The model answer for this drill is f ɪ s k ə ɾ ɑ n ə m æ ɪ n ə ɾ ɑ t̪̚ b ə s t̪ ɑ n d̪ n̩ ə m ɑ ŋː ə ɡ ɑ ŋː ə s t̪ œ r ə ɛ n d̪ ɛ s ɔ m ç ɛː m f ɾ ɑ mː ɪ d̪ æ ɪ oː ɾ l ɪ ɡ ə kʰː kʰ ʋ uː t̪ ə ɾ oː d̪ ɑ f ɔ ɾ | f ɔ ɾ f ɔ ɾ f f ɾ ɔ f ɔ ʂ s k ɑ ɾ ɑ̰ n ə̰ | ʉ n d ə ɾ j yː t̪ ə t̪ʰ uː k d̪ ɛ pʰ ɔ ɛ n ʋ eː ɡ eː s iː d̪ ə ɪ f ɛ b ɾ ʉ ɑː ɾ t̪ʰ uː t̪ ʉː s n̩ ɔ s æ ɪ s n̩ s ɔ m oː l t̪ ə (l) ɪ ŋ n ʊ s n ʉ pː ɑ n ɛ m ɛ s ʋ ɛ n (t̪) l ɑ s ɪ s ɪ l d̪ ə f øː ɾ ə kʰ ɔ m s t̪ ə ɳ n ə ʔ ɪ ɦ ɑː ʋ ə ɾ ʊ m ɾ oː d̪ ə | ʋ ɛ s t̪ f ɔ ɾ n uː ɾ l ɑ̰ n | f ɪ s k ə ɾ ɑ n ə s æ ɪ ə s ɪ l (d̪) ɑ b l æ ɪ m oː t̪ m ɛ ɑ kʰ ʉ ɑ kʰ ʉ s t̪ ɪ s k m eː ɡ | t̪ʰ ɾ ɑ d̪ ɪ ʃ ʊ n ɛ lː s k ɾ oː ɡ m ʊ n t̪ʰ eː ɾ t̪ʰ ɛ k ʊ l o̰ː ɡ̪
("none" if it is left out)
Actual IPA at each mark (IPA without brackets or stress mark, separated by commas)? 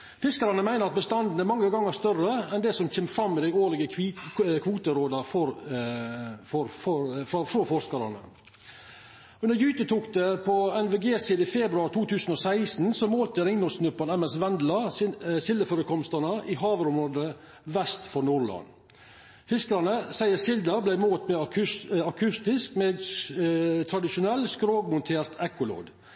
ɾ, d̪, d̪